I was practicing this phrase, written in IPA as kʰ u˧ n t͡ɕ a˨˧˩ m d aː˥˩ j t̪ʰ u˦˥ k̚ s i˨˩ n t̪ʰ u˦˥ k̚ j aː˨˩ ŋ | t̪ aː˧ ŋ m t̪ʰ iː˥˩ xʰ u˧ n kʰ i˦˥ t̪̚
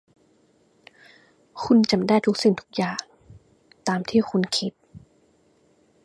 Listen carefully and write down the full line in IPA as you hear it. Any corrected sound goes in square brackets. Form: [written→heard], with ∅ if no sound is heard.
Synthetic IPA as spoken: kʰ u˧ n t͡ɕ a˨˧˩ m d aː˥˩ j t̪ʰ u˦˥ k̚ s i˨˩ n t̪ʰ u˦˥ k̚ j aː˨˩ ŋ | t̪ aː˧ [ŋ→∅] m t̪ʰ iː˥˩ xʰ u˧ n kʰ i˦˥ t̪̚